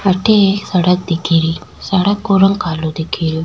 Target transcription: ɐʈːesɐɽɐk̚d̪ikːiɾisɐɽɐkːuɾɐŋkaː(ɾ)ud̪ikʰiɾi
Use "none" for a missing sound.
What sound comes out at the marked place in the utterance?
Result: l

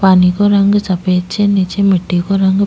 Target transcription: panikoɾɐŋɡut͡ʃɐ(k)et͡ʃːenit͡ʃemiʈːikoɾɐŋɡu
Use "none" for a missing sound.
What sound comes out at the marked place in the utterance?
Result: p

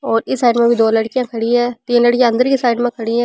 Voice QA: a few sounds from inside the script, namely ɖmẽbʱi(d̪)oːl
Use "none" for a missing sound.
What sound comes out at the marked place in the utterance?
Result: d̪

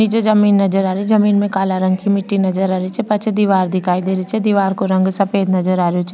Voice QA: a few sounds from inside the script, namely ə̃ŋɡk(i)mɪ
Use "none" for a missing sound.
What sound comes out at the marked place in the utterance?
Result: i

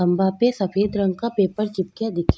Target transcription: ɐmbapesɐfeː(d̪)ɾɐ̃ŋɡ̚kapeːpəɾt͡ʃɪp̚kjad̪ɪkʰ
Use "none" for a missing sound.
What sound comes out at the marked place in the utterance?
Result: d̪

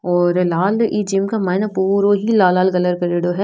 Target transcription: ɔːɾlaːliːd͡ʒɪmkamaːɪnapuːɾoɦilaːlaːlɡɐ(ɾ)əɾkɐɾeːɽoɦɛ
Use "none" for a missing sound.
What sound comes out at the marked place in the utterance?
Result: l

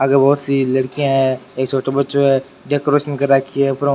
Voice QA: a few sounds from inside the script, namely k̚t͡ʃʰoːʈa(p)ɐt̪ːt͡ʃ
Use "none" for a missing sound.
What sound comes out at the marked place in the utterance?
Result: b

